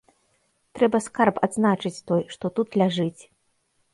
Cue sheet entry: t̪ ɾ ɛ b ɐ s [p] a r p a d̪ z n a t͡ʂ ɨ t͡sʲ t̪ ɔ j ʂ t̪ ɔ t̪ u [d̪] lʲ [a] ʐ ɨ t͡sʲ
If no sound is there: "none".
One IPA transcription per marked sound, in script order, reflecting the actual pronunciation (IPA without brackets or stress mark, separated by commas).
k, t̪, a